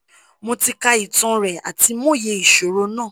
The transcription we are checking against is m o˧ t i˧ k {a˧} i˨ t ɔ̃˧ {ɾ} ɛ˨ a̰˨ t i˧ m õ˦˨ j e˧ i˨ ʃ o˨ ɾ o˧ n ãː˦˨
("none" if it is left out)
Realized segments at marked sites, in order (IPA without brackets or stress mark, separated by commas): a˧, ɾ